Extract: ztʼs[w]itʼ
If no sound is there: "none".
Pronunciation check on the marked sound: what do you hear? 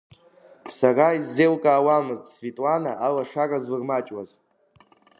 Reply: v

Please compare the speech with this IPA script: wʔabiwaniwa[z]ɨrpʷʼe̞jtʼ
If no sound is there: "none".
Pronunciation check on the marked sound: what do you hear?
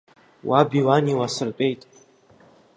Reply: s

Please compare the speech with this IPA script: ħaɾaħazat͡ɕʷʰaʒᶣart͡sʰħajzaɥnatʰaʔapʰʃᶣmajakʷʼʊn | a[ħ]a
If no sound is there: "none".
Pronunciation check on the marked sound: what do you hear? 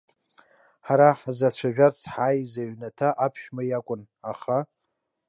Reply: χ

